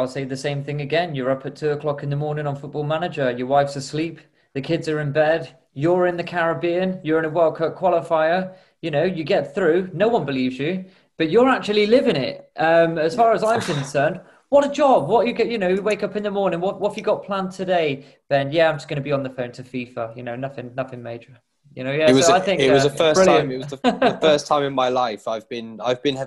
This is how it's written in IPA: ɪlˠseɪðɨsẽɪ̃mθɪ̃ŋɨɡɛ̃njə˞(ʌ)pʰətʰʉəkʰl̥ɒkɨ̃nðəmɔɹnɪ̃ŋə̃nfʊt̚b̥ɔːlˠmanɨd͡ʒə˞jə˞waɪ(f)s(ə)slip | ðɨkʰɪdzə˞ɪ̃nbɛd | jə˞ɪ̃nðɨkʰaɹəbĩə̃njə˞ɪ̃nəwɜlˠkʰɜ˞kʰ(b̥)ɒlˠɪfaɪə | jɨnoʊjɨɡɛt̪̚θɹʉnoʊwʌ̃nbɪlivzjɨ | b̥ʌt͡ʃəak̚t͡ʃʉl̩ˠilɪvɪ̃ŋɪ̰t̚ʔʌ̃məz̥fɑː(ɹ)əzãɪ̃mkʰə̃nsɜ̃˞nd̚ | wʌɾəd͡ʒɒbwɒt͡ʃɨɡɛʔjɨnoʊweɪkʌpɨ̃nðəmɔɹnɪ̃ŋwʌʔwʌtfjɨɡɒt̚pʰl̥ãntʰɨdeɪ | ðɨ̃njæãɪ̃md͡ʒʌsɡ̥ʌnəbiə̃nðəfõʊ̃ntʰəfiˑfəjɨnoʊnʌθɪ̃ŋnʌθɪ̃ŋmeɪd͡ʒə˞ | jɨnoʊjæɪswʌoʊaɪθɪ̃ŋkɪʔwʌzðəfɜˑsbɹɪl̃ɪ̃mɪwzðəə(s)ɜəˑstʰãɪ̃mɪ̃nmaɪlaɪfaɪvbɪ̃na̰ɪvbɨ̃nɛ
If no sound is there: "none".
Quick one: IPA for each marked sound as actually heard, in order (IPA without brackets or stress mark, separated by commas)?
ʌ, f, ə, w̥, ɹ, f